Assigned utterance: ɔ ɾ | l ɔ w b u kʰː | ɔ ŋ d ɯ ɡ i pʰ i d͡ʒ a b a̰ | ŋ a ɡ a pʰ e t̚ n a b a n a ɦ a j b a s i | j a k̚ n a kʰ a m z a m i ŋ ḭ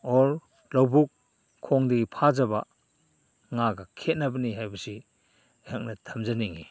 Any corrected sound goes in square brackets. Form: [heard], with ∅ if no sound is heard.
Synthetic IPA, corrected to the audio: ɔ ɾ | l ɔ w b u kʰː | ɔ ŋ d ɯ ɡ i pʰ [a] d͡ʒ a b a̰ | ŋ a ɡ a [kʰ] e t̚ n a b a n [i] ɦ a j b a s i | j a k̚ n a [tʰ] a m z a [n] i ŋ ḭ